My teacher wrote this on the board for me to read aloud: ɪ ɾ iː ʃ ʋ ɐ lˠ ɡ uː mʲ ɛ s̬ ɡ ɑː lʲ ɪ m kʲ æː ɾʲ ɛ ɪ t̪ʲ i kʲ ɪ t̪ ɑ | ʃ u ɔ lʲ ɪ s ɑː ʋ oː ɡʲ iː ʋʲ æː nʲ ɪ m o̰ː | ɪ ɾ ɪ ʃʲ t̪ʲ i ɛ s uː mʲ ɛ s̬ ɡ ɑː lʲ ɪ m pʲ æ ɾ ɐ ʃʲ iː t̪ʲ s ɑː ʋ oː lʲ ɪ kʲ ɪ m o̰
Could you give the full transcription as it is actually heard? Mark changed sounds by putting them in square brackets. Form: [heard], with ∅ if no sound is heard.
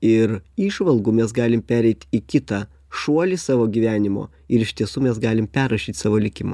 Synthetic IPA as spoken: ɪ ɾ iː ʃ ʋ ɐ lˠ ɡ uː mʲ ɛ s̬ ɡ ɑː lʲ ɪ m [pʲ] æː ɾʲ ɛ ɪ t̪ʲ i kʲ ɪ t̪ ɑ | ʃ u ɔ lʲ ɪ s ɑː ʋ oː ɡʲ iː ʋʲ æː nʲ ɪ m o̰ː | ɪ ɾ ɪ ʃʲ t̪ʲ i ɛ s uː mʲ ɛ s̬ ɡ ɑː lʲ ɪ m pʲ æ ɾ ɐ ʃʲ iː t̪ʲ s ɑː ʋ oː lʲ ɪ kʲ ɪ m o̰